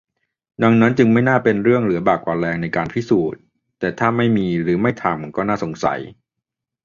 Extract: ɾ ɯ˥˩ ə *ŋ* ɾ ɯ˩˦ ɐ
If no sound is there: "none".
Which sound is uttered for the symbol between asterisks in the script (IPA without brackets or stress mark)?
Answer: ŋ